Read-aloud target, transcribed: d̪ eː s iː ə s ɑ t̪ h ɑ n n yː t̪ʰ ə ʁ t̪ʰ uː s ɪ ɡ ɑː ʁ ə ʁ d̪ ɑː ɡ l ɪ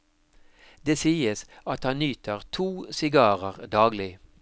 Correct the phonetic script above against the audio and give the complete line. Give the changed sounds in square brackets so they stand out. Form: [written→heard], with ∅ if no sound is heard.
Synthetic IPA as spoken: d̪ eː s iː ə s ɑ t̪ h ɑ n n yː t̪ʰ ə ʁ t̪ʰ uː s ɪ ɡ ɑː ʁ ə ʁ d̪ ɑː ɡ l ɪ